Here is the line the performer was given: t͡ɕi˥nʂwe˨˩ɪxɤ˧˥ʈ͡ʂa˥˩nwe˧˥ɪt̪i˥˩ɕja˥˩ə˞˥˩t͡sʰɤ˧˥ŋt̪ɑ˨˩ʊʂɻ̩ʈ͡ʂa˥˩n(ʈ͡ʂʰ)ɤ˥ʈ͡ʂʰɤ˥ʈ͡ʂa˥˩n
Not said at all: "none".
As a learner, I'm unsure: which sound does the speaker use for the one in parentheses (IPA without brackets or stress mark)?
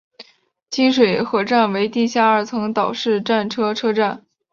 ʈ͡ʂʰ